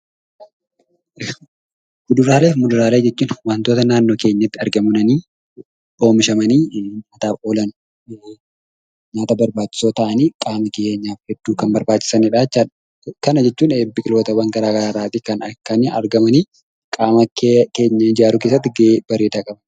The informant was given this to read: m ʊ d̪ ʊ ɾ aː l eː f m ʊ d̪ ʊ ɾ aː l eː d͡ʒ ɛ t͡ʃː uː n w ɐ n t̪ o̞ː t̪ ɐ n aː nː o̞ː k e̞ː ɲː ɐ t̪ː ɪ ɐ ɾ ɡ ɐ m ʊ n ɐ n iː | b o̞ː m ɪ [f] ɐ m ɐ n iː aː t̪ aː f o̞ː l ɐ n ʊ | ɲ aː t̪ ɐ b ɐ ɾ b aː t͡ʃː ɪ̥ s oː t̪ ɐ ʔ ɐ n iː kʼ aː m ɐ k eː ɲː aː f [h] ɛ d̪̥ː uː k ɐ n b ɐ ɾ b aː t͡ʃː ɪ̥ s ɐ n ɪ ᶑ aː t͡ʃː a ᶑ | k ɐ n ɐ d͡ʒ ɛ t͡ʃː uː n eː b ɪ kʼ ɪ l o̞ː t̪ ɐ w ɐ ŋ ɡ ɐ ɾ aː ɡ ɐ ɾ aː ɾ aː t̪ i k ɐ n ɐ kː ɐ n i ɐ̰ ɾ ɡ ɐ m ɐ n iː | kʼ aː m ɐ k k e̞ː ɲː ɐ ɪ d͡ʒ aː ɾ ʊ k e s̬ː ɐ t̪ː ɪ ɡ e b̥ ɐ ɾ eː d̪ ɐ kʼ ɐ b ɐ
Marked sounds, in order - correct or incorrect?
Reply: incorrect: ʃ, correct

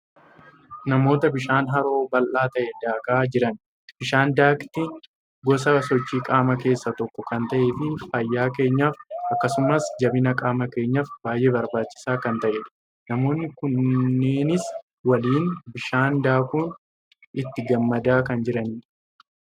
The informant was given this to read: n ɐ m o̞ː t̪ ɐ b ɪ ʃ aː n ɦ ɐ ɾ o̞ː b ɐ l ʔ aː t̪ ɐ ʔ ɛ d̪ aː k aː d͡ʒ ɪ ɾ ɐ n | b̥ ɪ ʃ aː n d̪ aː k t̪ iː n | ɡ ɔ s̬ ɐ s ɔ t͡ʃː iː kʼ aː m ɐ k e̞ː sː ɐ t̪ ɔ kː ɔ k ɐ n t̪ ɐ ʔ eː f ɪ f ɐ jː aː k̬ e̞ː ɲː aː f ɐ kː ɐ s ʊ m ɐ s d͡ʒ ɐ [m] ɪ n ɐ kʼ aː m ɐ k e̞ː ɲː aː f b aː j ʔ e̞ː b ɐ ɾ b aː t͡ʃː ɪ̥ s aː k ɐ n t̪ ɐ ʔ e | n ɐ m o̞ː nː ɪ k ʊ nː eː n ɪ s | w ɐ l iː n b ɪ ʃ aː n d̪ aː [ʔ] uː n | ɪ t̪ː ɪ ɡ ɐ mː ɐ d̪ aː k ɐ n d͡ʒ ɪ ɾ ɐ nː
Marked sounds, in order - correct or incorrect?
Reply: incorrect: b, incorrect: k

